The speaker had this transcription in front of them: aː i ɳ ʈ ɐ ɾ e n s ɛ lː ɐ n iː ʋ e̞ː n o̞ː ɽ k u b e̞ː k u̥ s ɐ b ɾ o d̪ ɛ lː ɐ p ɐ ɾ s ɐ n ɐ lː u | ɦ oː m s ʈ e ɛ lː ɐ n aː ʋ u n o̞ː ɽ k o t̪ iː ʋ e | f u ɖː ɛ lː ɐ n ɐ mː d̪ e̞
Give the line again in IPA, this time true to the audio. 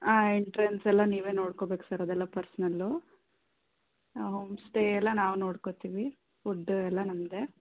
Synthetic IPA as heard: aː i ɳ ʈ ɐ ɾ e n s ɛ lː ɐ n iː ʋ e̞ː n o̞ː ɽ k o b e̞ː k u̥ s ɐ ɾ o d̪ ɛ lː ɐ p ɐ ɾ s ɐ n ɐ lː u | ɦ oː m s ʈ e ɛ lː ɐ n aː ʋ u n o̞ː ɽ k o t̪ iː ʋ i | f u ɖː ɛ lː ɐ n ɐ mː d̪ e̞